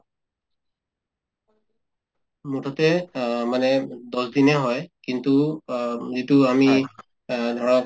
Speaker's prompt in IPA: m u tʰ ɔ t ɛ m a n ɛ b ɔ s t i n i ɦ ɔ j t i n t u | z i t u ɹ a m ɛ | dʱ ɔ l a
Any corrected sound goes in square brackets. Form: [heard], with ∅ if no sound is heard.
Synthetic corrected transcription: m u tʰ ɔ t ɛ m a n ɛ [d] ɔ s [d] i n [ɛ] ɦ ɔ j [k] i n t u | z i t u [∅] a m [i] | dʱ ɔ [ɹ] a